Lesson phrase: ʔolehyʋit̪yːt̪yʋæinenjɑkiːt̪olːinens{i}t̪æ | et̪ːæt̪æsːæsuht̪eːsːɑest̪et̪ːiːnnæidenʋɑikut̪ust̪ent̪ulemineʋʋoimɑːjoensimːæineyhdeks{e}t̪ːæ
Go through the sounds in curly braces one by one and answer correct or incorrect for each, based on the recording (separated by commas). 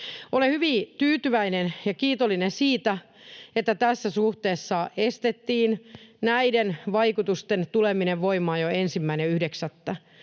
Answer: incorrect, incorrect